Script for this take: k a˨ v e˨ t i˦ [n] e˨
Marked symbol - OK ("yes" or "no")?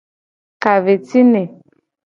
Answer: yes